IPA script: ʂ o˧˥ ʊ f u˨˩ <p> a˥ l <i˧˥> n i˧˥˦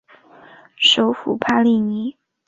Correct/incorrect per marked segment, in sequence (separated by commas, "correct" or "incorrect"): incorrect, incorrect